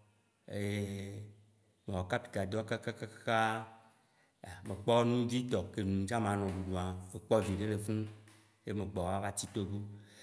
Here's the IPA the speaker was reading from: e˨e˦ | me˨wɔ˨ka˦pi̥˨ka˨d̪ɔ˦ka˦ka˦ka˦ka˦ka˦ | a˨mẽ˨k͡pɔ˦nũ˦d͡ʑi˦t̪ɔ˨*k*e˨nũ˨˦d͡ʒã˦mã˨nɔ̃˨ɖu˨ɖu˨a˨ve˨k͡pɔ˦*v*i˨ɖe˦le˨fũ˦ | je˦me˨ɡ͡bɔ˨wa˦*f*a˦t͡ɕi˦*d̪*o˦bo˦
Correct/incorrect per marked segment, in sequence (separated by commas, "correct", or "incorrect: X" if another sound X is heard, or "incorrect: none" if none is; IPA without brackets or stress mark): correct, correct, incorrect: v, incorrect: t̪